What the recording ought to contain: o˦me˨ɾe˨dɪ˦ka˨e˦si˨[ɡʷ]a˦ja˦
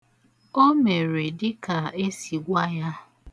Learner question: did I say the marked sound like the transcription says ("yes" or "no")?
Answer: yes